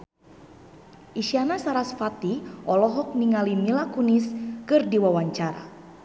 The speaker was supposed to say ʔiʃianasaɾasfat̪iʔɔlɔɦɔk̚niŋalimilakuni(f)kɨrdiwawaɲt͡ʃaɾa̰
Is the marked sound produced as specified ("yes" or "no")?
no